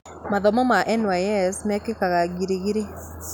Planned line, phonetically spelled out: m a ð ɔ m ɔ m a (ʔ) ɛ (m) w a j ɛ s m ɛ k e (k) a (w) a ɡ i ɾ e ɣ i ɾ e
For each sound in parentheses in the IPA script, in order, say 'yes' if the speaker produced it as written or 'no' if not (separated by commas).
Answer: yes, no, yes, no